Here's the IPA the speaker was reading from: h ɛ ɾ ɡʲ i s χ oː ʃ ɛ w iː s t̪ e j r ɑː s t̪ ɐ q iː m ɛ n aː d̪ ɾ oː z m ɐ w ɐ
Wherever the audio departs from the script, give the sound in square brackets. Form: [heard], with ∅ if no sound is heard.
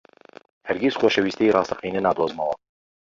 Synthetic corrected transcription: h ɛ ɾ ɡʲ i s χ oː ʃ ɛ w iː s t̪ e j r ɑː s t̪ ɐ q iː [n] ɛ n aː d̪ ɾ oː z m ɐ w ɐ